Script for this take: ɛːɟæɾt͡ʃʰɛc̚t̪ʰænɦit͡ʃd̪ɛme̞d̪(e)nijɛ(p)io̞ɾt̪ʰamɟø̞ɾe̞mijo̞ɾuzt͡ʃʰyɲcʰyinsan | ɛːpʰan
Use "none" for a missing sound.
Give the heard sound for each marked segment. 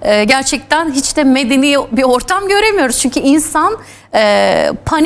e, b

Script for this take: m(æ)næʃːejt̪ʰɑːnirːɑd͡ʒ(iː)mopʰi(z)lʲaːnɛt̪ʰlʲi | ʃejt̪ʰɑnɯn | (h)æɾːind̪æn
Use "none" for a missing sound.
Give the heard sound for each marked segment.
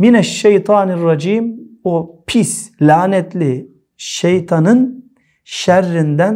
i, iː, s, ʃ

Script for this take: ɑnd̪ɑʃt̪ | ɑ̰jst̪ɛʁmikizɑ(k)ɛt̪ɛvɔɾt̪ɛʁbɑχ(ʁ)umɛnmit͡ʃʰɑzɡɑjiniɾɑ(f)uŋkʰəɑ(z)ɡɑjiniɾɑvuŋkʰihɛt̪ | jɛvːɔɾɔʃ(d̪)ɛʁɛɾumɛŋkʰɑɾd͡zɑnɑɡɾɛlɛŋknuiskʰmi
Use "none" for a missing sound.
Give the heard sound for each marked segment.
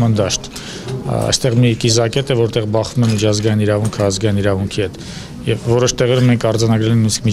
k, v, v, z, t̪

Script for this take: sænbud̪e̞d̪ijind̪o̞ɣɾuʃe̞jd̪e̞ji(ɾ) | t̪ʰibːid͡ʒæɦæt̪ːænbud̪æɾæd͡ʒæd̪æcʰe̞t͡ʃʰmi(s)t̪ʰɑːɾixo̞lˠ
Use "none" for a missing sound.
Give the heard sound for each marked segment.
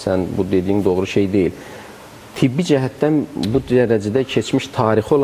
l, ʃ

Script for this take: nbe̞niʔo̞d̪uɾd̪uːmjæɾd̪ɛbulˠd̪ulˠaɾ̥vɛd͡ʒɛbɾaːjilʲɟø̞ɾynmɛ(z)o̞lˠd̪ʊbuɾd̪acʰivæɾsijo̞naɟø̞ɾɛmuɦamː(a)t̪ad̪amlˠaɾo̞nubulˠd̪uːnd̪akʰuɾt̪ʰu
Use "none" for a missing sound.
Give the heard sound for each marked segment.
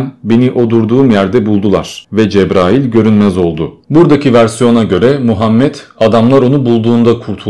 z, ɛ

